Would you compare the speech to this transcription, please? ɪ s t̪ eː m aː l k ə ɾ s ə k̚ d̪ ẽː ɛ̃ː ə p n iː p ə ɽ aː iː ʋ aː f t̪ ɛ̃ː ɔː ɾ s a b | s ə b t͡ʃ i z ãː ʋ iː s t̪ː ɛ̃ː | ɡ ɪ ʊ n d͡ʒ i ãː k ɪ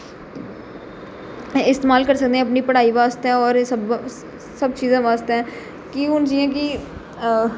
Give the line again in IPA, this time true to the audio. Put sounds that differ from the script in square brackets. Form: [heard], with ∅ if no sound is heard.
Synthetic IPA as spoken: ɪ s t̪ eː m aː l k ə ɾ s ə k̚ d̪ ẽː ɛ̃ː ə p n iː p ə ɽ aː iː ʋ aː [s] t̪ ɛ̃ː ɔː ɾ s [ə] b | s ə b t͡ʃ [iː] z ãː ʋ [aː] s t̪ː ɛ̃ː | [k] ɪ ʊ n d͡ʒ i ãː k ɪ